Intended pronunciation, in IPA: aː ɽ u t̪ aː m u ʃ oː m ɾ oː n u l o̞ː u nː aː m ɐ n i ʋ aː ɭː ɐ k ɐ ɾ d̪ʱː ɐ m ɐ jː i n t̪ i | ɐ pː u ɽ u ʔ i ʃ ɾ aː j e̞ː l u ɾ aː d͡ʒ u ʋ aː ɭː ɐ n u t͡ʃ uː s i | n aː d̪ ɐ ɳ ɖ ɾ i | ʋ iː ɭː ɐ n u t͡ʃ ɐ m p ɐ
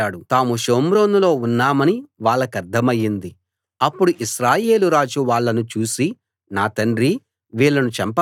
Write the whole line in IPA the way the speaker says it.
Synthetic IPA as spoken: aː ɽ u t̪ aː m u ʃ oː m ɾ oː n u l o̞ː u nː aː m ɐ n i ʋ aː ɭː ɐ k ɐ ɾ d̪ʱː ɐ m ɐ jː i n d̪ i | ɐ pː u ɽ u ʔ i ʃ ɾ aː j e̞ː l u ɾ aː d͡ʒ u ʋ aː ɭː ɐ n u t͡ʃ uː s i | n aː t̪ ɐ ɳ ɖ ɾ i | ʋ iː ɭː ɐ n u t͡ʃ ɐ m p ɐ